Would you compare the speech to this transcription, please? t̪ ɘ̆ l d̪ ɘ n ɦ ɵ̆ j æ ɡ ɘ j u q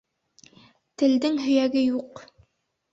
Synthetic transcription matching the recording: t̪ ɘ̆ l d̪ ɘ ŋ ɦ ɵ̆ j æ ɡ ɘ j u q